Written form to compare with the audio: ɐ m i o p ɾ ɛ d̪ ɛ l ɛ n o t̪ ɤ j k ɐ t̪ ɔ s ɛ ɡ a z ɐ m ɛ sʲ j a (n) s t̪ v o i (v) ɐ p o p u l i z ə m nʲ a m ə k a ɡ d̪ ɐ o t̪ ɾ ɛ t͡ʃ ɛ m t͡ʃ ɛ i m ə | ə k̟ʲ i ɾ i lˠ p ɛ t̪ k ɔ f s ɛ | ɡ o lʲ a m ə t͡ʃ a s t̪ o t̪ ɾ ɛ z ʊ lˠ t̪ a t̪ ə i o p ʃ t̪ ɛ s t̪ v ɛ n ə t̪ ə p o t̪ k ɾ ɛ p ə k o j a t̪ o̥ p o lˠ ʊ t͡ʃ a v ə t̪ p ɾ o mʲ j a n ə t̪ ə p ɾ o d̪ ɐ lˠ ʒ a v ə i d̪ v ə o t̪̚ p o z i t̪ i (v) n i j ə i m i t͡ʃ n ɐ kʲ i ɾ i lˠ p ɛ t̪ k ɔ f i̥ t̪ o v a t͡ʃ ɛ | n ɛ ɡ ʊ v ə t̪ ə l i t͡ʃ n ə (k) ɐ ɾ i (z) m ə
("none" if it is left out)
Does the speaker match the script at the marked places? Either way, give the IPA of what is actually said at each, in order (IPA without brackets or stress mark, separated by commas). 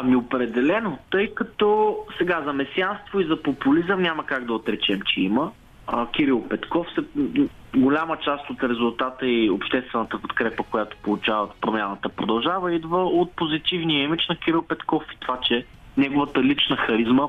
n, z, v, x, z